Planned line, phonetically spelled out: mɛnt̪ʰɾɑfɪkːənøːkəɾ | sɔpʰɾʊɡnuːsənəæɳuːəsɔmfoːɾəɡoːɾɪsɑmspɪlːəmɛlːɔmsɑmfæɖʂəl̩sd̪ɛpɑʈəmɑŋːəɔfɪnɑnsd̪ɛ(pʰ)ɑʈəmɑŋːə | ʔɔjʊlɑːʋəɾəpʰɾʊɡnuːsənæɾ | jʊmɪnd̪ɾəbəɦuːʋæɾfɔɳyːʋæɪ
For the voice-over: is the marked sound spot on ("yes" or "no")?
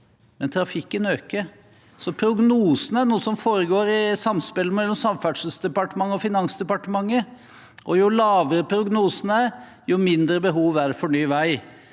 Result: no